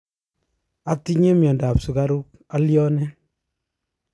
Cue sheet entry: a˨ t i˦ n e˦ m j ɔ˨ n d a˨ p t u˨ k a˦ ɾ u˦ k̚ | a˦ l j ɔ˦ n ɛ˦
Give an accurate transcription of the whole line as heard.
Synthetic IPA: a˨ t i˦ ɲ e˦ m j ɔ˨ n d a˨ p s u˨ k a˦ ɾ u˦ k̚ | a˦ l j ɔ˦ n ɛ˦